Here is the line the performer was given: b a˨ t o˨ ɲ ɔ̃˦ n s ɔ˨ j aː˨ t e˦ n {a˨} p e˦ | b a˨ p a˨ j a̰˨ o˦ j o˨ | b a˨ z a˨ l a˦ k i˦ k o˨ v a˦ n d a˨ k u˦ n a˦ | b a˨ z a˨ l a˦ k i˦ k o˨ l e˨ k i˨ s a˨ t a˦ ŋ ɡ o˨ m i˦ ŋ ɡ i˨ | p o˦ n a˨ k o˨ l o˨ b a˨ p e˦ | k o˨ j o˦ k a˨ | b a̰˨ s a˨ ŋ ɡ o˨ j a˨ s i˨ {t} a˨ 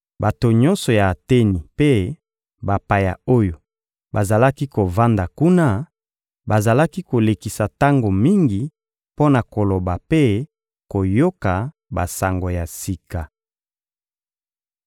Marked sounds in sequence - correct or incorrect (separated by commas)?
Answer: incorrect, incorrect